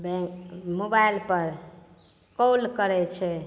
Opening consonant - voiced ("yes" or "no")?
yes